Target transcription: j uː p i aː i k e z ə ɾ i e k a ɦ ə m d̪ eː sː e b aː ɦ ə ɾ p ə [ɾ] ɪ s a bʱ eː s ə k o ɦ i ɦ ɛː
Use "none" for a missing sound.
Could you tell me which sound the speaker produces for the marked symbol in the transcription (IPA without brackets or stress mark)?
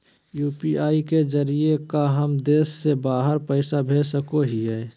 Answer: none